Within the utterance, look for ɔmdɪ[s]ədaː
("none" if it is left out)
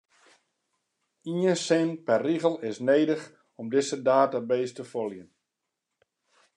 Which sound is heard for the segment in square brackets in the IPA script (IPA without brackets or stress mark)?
s